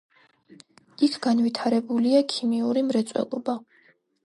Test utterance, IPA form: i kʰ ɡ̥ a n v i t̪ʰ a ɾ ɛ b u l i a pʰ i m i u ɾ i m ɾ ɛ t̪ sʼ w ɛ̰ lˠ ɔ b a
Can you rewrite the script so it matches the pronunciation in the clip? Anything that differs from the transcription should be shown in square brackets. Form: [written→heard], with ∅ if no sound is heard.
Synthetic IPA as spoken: i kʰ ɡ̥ a n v i t̪ʰ a ɾ ɛ b u l i a [pʰ→kʰ] i m i u ɾ i m ɾ ɛ t̪ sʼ w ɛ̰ lˠ ɔ b a